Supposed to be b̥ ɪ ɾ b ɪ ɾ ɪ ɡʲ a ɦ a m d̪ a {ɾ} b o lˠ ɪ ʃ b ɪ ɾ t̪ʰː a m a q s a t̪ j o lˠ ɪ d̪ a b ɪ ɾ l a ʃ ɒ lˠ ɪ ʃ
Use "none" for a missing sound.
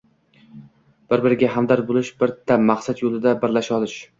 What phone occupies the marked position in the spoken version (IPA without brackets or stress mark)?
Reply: ɾ